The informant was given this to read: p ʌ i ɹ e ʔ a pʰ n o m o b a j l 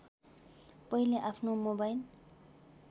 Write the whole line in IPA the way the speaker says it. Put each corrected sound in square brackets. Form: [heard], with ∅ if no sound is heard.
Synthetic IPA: p ʌ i [l] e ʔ a pʰ n o m o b a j l